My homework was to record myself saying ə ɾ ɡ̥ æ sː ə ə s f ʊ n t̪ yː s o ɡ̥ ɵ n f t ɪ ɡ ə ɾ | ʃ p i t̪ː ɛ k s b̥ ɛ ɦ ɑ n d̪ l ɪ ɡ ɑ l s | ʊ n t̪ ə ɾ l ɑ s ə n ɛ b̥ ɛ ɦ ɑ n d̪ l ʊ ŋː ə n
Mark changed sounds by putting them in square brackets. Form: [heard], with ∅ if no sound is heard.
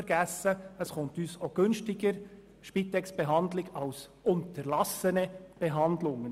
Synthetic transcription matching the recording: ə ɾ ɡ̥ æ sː ə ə s [χ] ʊ n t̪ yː s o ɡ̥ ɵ n [ʃ] t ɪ ɡ ə ɾ | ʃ p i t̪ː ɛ k s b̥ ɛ ɦ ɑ n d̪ l ɪ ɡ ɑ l s | ʊ n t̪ ə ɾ l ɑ s ə n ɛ b̥ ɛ ɦ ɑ n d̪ l ʊ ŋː ə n